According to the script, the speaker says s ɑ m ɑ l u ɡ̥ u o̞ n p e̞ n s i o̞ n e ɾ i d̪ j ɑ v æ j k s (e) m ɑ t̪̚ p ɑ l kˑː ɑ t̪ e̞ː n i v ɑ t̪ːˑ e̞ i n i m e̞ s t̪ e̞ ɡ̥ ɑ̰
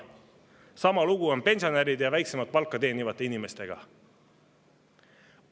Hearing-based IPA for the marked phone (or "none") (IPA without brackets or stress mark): e